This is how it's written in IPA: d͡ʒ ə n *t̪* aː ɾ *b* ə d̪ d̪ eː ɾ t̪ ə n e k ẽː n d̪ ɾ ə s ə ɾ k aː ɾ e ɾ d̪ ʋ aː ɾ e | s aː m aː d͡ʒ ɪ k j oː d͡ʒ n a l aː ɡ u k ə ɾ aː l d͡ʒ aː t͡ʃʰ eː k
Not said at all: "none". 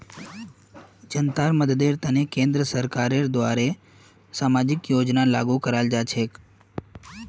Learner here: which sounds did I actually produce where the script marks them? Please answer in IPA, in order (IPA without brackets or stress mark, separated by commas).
t̪, m